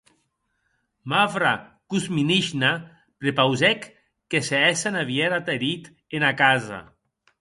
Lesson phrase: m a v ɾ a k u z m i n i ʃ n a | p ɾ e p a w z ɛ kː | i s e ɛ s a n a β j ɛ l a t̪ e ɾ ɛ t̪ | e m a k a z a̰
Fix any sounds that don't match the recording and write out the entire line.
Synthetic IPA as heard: m a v ɾ a k u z m i n i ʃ n a | p ɾ e p a w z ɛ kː | e s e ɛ s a n a β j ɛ ɾ a t̪ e ɾ i t̪ | e n a k a z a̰